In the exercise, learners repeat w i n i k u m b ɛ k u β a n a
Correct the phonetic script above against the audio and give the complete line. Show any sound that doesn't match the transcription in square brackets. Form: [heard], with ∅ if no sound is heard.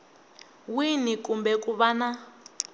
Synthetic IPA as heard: w i n i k u m b ɛ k u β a n a